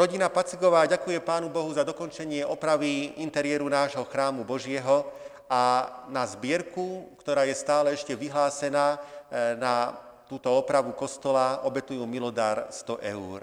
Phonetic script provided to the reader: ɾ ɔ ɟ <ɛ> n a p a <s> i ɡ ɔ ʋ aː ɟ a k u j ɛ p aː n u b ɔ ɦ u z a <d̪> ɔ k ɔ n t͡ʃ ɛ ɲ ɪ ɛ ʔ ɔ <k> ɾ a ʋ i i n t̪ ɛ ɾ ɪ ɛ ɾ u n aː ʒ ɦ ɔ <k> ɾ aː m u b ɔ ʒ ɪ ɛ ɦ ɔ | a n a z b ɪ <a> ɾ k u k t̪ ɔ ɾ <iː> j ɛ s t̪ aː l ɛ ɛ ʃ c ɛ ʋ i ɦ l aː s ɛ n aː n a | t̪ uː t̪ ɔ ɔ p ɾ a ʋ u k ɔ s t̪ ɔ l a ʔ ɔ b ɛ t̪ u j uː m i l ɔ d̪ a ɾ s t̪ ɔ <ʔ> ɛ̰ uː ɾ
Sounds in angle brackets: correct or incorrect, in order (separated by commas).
incorrect, incorrect, correct, incorrect, incorrect, incorrect, incorrect, correct